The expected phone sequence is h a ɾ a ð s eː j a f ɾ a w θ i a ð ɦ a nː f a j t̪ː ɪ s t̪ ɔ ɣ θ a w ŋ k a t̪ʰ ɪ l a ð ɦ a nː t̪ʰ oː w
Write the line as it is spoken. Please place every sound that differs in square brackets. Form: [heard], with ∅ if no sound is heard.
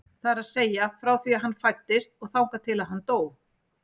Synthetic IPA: [θ] a ɾ a ð s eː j a f ɾ a w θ i a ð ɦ a nː f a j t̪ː ɪ s t̪ ɔ ɣ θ a w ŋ k a t̪ʰ ɪ l a ð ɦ a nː [t̪] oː w